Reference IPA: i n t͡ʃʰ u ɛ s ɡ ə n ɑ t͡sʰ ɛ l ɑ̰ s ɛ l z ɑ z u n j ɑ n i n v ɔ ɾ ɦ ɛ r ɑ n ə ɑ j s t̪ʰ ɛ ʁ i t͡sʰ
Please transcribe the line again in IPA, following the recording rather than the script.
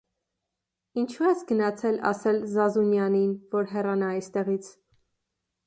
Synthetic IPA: i n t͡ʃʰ u ɛ s ɡ ə n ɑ t͡sʰ ɛ l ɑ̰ s ɛ l z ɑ z u n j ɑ n i n v ɔ ɾ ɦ ɛ r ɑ n ɑ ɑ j s t̪ ɛ ʁ i t͡sʰ